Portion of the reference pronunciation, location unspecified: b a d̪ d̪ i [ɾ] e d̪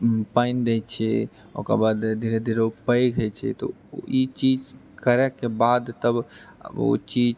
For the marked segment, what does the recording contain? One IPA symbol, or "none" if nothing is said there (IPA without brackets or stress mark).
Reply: ɾ